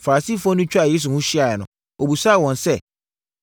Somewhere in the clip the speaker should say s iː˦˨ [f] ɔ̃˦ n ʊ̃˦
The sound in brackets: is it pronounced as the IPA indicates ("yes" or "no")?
yes